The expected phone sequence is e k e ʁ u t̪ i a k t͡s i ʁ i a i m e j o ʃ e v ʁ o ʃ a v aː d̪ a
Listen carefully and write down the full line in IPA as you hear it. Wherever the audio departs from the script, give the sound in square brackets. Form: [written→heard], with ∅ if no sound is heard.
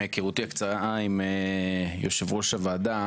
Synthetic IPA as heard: e k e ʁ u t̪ i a k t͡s [i→a] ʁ [i→a] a i m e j o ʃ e v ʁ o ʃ a v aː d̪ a